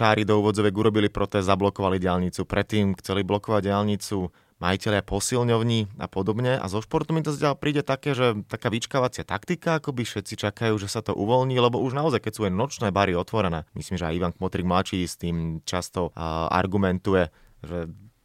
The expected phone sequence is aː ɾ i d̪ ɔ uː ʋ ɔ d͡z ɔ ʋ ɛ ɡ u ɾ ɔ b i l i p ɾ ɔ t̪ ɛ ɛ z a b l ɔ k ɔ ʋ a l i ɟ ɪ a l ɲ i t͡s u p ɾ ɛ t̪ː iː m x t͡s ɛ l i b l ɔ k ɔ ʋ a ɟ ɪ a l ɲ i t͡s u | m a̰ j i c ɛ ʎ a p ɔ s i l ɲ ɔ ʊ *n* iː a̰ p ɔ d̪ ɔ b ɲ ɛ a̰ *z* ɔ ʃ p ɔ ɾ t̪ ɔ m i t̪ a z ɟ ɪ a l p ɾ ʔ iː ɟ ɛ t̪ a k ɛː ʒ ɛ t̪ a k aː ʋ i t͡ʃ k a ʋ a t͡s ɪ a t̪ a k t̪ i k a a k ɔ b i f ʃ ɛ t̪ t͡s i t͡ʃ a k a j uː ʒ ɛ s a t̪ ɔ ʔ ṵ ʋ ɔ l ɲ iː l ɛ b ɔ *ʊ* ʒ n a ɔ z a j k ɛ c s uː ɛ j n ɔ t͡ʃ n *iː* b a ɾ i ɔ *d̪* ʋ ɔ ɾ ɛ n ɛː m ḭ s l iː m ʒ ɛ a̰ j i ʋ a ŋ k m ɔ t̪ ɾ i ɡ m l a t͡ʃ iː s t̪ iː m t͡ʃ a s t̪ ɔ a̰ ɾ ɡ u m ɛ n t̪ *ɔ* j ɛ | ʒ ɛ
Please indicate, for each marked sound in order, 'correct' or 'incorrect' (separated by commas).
incorrect, correct, incorrect, incorrect, incorrect, incorrect